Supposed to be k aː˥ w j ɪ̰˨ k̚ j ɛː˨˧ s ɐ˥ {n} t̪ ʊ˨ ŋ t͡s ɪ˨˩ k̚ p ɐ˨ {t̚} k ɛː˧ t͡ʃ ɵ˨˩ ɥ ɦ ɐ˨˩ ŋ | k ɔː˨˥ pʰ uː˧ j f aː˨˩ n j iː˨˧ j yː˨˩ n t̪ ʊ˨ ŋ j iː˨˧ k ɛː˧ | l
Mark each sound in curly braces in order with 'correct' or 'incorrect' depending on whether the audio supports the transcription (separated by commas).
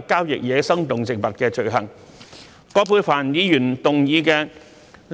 incorrect, correct